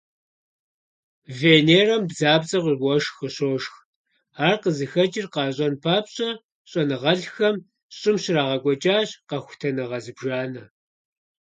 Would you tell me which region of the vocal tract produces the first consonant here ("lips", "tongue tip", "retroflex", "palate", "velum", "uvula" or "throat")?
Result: lips